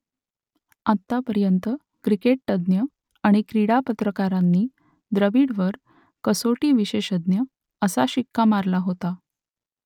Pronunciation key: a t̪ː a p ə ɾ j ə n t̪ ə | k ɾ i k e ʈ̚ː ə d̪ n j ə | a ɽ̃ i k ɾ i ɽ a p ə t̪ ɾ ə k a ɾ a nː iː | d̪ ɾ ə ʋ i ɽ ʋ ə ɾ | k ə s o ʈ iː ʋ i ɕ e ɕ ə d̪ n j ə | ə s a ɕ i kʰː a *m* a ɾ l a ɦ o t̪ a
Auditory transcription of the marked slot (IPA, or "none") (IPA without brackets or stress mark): m